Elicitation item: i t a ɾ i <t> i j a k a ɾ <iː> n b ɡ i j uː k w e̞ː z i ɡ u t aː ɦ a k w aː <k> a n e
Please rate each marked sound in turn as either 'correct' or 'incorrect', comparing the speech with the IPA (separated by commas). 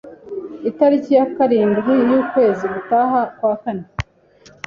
incorrect, correct, correct